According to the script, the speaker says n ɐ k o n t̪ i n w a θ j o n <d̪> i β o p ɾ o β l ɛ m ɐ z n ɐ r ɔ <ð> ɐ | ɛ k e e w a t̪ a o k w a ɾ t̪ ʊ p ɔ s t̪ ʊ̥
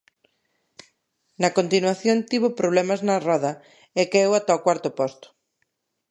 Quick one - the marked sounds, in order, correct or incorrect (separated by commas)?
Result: incorrect, correct